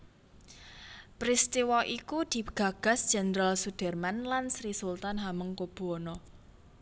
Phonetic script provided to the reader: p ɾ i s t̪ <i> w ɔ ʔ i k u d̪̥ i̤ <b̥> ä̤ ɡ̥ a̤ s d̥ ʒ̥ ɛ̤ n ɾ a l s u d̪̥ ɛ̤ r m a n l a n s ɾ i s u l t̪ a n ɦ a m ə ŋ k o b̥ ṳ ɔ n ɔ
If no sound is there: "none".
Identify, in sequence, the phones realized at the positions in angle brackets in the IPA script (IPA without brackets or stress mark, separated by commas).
i, ɡ̥